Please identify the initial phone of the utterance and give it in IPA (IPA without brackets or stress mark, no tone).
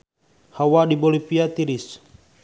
h